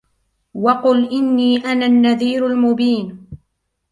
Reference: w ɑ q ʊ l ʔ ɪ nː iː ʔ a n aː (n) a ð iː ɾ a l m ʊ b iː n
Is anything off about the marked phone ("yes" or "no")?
yes